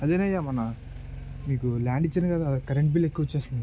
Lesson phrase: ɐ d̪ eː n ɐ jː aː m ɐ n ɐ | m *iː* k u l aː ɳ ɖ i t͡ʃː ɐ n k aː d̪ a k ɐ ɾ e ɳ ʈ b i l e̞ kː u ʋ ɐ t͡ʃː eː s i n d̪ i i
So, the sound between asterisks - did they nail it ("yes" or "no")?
yes